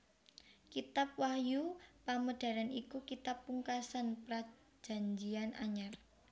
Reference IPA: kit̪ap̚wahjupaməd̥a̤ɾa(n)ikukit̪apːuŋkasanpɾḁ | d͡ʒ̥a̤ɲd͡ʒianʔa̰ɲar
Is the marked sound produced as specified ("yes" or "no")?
yes